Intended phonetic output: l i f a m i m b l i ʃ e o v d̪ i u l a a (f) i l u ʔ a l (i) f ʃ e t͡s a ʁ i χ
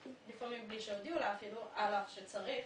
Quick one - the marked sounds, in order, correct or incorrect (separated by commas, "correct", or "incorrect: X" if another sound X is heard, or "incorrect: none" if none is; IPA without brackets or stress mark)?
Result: correct, incorrect: a